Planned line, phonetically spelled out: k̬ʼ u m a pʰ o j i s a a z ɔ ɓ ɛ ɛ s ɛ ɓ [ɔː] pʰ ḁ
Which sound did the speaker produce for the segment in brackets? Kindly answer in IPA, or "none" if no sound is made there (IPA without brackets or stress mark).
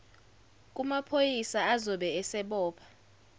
ɔː